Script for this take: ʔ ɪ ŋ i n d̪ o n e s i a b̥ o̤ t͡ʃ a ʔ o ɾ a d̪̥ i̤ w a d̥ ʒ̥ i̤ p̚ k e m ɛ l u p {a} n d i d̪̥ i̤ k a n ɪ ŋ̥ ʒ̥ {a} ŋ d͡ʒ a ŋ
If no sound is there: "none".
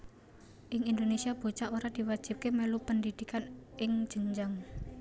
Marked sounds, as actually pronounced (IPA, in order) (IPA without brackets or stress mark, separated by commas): ə, ə